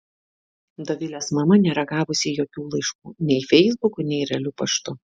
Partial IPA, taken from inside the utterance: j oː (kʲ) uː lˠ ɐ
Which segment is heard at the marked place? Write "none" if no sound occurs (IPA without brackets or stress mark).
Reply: kʲ